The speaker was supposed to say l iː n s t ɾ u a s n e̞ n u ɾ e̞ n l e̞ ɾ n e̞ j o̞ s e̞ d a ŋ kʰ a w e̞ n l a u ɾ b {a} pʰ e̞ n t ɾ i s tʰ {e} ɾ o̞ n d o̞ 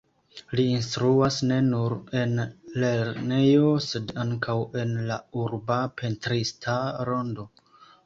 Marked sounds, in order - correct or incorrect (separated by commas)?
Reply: correct, incorrect